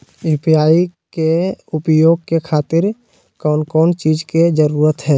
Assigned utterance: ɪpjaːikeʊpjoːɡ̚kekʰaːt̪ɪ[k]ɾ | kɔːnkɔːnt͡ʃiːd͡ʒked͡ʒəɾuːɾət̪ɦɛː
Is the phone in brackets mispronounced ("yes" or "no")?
yes